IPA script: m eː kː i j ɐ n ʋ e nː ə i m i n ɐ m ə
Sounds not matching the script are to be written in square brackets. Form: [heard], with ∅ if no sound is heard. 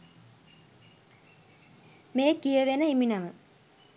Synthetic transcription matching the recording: m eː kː i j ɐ [∅] ʋ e [n] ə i m i n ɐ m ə